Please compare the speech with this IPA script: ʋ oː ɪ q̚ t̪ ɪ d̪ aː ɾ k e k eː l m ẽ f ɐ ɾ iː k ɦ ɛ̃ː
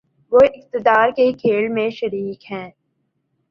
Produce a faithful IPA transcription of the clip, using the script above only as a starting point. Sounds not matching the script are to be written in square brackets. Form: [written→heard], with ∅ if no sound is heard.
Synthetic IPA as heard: ʋ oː ɪ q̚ t̪ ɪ d̪ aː ɾ k e [k→kʰ] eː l m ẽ [f→ʃ] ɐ ɾ iː k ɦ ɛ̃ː